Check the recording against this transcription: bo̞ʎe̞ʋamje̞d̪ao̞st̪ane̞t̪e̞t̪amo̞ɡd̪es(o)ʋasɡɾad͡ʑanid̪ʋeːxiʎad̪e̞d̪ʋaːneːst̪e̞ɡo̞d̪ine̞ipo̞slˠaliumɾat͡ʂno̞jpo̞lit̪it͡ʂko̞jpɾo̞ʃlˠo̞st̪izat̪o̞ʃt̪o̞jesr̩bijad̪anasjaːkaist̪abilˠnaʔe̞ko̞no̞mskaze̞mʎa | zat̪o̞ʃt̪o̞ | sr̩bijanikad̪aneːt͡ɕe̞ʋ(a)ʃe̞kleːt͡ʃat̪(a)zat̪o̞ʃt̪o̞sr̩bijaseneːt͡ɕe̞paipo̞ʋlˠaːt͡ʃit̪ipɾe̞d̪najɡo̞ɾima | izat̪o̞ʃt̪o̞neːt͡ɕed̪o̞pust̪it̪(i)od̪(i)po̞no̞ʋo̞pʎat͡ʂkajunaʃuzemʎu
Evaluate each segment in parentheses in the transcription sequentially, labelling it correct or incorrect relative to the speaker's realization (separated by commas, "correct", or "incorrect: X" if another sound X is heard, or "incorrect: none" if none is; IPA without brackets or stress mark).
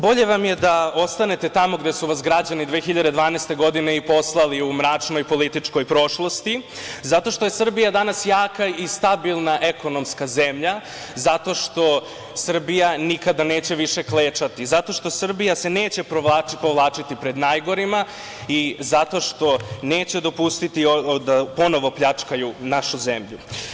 incorrect: u, incorrect: i, incorrect: i, correct, incorrect: a